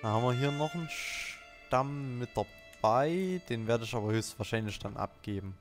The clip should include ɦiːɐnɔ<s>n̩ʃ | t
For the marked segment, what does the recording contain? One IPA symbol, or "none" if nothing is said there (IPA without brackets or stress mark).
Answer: χ